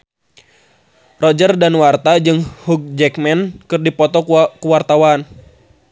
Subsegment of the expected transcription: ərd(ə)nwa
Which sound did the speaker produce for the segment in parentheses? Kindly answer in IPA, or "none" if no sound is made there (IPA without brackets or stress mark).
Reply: a